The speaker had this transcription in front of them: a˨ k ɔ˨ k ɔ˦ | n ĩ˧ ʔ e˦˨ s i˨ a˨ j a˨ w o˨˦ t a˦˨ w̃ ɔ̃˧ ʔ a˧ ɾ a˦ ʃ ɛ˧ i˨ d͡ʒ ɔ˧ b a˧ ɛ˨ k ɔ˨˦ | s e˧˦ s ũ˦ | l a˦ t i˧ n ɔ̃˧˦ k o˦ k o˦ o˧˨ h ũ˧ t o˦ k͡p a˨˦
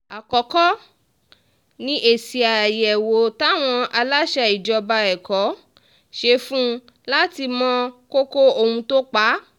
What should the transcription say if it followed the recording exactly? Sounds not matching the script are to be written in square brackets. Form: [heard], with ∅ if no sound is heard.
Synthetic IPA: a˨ k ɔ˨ k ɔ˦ | n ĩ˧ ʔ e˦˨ s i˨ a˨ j [ɛ˨] w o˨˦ t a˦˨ w̃ ɔ̃˧ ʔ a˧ [l] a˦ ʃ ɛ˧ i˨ d͡ʒ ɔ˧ b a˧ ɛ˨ k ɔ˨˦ | [ʃ] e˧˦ [f] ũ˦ | l a˦ t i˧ [m] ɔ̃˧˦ k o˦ k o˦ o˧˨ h ũ˧ t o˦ k͡p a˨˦

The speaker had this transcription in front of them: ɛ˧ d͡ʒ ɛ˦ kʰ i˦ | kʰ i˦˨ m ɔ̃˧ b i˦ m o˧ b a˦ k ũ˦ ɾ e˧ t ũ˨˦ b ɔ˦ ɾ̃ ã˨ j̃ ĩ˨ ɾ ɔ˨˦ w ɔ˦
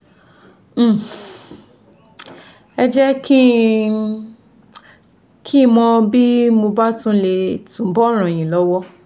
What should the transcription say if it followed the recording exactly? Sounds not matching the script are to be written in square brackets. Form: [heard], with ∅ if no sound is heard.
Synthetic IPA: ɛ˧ d͡ʒ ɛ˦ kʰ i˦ | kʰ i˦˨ m ɔ̃˧ b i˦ m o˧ b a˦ [t] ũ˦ [l] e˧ t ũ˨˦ b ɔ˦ ɾ̃ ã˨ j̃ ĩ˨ [l] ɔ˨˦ w ɔ˦

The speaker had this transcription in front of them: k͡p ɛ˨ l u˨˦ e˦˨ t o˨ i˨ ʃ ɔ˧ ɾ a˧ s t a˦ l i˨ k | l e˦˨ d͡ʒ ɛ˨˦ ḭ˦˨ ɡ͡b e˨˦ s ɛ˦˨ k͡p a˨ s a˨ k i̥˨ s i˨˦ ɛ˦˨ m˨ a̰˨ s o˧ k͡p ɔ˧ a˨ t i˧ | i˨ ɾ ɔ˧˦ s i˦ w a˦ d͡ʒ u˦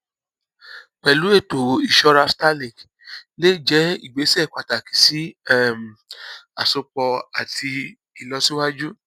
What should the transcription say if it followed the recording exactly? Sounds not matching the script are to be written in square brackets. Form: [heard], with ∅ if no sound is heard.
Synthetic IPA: k͡p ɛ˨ l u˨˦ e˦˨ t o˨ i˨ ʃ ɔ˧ ɾ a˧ s t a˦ l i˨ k | l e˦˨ d͡ʒ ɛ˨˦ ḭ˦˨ ɡ͡b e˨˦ s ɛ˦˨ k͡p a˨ [t] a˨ k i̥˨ s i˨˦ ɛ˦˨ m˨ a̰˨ s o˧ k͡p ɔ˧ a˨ t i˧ | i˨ [l] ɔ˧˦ s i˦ w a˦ d͡ʒ u˦

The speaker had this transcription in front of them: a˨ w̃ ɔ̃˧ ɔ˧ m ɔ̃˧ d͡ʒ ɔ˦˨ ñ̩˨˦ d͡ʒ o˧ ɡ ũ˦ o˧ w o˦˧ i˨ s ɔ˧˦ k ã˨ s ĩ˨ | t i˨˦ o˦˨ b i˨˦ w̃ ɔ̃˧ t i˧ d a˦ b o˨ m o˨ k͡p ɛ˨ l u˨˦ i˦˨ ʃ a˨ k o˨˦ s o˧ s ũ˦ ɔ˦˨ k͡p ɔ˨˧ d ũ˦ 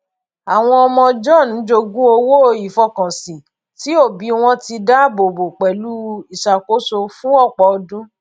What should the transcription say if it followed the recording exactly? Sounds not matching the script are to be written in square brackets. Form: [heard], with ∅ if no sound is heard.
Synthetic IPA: a˨ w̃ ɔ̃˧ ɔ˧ m ɔ̃˧ d͡ʒ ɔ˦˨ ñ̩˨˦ d͡ʒ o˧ ɡ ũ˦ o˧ w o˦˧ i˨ [f] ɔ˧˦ k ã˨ s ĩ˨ | t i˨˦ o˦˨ b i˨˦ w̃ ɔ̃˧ t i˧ d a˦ b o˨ [b] o˨ k͡p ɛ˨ l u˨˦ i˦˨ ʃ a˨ k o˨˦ s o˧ [f] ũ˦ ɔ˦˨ k͡p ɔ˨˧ d ũ˦

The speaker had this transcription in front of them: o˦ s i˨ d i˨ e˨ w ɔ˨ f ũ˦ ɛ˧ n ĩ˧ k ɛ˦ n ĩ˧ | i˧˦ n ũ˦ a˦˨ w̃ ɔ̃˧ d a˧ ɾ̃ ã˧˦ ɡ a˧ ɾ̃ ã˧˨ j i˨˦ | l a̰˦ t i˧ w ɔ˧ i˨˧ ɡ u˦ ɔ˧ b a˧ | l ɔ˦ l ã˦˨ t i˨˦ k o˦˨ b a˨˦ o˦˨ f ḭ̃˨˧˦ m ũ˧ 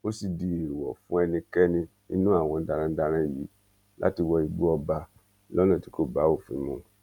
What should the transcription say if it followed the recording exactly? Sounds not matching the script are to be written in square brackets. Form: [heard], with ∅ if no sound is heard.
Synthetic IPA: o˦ s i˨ d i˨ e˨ w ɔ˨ f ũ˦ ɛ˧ n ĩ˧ k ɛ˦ n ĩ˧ | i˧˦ n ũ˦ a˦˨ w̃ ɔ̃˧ d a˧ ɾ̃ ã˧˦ [d] a˧ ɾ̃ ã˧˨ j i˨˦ | l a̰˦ t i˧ w ɔ˧ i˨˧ [ɡ͡b] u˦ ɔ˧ b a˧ | l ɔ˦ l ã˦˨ t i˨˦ k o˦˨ b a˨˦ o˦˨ f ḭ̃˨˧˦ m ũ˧

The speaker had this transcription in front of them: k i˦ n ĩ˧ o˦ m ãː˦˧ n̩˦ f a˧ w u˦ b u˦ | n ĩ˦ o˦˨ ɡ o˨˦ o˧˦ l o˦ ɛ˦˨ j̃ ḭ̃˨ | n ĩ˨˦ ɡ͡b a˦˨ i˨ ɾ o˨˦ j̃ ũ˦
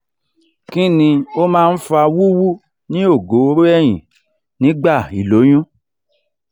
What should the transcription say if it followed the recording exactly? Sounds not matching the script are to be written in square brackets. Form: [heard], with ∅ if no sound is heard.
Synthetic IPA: k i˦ n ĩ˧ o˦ m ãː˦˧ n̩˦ f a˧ w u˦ [w] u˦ | n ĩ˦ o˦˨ ɡ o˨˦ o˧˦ [ɾ] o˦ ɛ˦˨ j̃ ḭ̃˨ | n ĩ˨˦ ɡ͡b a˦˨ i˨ [l] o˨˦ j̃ ũ˦

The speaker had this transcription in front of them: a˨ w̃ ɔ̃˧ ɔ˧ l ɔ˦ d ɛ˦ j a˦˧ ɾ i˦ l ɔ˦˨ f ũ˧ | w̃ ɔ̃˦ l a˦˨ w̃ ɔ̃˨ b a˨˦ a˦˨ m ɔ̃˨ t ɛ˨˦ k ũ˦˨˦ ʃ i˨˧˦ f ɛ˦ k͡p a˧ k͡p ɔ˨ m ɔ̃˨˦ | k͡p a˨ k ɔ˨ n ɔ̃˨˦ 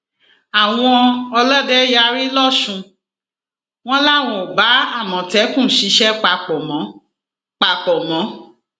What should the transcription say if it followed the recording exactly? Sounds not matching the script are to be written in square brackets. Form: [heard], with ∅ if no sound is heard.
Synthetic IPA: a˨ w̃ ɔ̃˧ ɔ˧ l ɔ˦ d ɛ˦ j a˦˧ ɾ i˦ l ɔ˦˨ [ʃ] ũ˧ | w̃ ɔ̃˦ l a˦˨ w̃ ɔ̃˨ b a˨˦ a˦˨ m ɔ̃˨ t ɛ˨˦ k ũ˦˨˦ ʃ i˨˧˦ [ʃ] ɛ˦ k͡p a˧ k͡p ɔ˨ m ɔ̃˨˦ | k͡p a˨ [k͡p] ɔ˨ [m] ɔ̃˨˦

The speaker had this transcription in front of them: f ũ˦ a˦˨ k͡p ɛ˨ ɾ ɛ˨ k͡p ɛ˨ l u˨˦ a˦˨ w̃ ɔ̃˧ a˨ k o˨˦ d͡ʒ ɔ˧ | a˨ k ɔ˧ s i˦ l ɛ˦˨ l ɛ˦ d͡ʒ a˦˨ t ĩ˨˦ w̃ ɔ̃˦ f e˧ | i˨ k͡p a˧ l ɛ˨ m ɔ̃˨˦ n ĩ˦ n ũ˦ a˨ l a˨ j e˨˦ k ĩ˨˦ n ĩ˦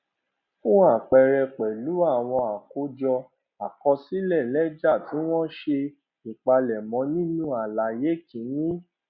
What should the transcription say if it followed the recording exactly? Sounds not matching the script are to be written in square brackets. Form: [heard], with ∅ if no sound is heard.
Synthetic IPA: f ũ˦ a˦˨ k͡p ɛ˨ ɾ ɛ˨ k͡p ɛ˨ l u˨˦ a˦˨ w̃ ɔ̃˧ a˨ k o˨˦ d͡ʒ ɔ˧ | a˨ k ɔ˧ s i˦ l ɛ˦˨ l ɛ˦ d͡ʒ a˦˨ t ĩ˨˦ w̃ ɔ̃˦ [ʃ] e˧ | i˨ k͡p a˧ l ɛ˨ m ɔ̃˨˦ n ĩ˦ n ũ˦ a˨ l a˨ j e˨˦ k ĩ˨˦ n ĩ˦

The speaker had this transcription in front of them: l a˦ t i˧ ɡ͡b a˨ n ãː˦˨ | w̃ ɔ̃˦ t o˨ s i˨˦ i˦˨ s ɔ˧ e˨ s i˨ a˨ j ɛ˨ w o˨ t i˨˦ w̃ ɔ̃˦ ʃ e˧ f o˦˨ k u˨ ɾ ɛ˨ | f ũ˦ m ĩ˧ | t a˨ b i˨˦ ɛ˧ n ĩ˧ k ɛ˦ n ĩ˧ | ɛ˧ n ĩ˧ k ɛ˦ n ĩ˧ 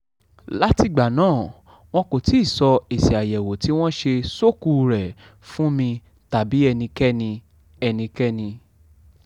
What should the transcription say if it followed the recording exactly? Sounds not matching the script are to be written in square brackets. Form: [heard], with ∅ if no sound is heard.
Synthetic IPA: l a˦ t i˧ ɡ͡b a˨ n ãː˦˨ | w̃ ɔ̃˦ [k] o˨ [t] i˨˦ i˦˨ s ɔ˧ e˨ s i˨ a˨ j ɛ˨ w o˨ t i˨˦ w̃ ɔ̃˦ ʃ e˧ [s] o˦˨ k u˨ ɾ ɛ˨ | f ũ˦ m ĩ˧ | t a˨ b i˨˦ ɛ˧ n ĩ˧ k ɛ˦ n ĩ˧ | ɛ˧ n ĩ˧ k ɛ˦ n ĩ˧

